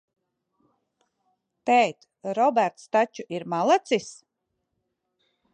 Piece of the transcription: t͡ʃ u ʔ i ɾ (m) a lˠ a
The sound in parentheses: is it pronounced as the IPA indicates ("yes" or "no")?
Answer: yes